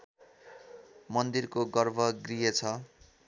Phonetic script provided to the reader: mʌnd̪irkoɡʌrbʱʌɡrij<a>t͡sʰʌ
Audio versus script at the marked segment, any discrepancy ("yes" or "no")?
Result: yes